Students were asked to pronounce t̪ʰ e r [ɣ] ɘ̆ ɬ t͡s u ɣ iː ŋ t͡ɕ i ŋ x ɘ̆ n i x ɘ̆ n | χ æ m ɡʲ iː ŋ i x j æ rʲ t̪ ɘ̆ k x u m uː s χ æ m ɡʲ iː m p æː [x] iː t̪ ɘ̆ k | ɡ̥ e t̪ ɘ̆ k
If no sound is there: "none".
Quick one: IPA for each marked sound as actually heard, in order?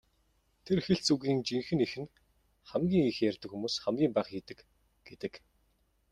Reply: x, χ

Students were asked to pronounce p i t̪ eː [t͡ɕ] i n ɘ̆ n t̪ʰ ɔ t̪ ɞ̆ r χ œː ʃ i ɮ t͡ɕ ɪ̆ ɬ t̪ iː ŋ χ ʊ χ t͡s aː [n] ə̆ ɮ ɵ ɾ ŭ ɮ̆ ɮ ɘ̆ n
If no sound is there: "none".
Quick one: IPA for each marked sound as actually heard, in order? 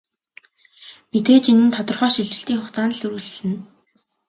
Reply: t͡ɕ, n

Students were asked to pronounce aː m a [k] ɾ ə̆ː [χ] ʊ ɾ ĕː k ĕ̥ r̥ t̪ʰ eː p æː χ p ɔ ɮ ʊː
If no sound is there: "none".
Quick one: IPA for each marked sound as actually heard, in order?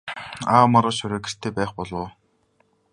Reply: none, ʃ

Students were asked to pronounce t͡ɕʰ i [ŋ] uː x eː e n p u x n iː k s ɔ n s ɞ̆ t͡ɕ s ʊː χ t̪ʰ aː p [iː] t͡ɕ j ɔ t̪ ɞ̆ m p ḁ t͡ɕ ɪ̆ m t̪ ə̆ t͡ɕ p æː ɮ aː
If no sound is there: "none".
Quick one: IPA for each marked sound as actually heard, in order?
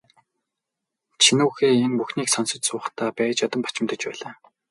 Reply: n, æː

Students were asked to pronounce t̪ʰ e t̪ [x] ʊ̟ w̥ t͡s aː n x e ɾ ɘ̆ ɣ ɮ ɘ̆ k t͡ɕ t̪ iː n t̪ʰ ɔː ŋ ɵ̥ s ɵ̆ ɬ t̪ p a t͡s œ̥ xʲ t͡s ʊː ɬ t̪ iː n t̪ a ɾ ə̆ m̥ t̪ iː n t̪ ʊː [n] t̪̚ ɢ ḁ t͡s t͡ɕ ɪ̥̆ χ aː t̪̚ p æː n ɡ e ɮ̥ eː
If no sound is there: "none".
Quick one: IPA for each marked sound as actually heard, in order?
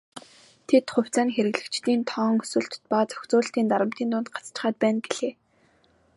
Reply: χ, n

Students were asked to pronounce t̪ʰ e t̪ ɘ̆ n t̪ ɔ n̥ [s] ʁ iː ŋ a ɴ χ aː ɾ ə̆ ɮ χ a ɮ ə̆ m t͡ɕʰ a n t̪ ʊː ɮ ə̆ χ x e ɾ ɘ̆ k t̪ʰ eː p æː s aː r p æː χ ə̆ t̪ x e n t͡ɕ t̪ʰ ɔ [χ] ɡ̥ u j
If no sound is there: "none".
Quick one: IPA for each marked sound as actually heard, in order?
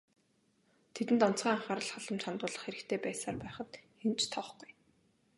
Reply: t͡s, χ

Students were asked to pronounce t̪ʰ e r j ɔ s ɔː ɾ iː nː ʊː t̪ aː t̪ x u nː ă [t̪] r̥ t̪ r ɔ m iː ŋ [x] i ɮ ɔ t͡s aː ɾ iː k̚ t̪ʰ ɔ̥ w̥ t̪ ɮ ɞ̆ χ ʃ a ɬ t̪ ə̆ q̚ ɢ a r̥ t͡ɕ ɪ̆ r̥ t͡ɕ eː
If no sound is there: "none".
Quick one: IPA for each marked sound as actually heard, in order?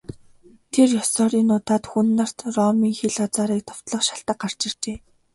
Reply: none, x

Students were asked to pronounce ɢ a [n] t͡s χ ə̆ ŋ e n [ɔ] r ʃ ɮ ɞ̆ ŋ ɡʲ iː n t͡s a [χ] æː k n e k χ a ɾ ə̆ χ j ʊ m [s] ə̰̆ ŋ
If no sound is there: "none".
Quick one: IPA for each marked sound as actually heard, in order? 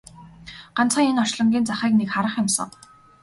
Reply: n, ɔ, χ, s

